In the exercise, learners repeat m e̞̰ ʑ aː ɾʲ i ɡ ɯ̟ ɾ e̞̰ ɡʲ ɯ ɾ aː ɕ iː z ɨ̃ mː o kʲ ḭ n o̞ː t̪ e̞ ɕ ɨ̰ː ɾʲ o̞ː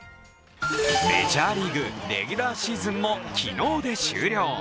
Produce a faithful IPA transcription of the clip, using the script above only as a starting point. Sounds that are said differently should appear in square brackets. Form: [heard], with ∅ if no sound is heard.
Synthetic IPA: m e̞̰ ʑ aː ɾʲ i ɡ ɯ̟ ɾ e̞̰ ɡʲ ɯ ɾ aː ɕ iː z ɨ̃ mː o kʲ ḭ n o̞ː [d̪] e̞ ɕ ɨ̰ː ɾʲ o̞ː